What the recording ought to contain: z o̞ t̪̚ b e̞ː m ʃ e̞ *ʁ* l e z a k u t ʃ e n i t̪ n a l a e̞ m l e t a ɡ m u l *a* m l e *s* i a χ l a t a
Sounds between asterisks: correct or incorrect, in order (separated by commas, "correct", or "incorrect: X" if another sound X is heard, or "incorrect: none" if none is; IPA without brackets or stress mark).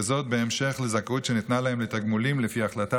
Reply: incorrect: χ, incorrect: i, incorrect: f